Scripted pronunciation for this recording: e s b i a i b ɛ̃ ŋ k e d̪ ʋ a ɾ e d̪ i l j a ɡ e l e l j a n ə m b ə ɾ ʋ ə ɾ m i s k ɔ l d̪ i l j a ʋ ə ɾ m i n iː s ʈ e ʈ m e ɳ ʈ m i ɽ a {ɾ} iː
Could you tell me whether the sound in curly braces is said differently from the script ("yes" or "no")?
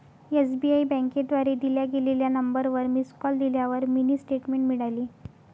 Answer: yes